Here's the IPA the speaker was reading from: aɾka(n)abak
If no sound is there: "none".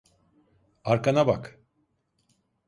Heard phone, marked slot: n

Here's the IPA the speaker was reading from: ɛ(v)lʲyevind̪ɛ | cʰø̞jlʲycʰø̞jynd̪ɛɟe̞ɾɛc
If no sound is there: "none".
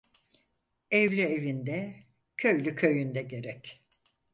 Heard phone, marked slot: v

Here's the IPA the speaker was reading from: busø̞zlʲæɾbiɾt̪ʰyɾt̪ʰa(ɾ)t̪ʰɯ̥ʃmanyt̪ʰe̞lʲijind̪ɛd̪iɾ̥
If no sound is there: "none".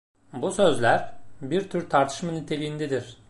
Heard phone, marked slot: ɾ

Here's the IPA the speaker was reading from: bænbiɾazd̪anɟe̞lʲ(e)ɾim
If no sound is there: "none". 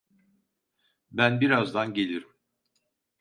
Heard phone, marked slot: i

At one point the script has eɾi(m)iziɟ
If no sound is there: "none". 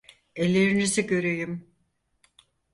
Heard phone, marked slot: n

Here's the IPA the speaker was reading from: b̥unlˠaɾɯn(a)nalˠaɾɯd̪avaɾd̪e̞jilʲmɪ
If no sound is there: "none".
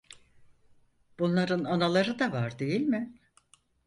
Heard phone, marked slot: a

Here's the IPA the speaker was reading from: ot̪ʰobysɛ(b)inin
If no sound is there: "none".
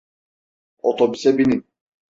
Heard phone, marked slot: b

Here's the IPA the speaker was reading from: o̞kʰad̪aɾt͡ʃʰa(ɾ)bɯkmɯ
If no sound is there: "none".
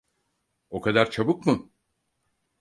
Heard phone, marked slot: none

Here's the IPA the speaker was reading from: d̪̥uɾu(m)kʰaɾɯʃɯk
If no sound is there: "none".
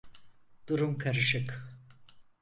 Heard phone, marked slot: m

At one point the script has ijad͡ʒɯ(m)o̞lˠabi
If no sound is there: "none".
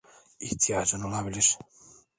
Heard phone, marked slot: n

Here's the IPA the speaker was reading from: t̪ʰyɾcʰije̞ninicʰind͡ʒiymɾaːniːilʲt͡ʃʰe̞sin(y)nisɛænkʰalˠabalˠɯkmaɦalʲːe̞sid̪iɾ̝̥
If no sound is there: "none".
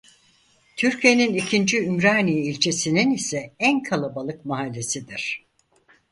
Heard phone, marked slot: i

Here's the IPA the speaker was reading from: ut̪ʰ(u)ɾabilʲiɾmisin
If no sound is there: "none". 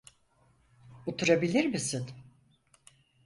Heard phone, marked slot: u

